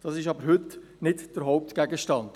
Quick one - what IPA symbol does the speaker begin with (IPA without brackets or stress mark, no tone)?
d̥